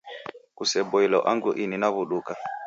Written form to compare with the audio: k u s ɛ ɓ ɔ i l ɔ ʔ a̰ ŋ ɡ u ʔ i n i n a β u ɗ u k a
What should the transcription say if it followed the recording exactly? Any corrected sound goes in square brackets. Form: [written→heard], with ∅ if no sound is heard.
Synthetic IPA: k u s ɛ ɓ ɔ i l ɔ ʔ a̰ ŋ ɡ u ʔ i n i n a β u ɗ u k a